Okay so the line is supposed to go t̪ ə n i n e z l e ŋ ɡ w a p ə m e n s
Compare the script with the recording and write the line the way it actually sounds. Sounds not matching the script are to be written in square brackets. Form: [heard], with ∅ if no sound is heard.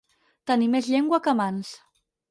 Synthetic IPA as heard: t̪ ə n i [m] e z [ʎ] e ŋ ɡ w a [k] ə m [a] n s